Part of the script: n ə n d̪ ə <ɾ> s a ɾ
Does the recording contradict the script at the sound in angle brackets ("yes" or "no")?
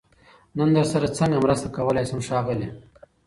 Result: no